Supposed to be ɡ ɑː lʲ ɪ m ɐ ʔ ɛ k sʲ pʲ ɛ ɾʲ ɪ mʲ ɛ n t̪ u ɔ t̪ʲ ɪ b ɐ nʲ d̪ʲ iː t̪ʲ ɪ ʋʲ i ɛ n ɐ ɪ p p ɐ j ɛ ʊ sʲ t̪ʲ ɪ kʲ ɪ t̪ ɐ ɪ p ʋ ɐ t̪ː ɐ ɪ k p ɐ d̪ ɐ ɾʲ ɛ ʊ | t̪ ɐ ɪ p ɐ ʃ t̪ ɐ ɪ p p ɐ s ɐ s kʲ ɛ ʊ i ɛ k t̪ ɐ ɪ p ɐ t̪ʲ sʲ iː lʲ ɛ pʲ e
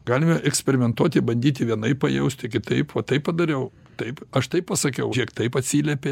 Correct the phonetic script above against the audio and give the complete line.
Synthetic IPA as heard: ɡ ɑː lʲ ɪ m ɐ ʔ ɛ k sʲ pʲ ɛ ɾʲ ɪ mʲ ɛ n t̪ u ɔ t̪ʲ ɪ b ɐ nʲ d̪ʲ iː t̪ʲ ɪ ʋʲ i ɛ n ɐ ɪ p p ɐ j ɛ ʊ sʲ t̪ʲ ɪ kʲ ɪ t̪ ɐ ɪ p ʋ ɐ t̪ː ɐ ɪ p p ɐ d̪ ɐ ɾʲ ɛ ʊ | t̪ ɐ ɪ p ɐ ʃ t̪ ɐ ɪ p p ɐ s ɐ kʲ ɛ ʊ i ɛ k t̪ ɐ ɪ p ɐ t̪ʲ sʲ iː lʲ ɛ pʲ e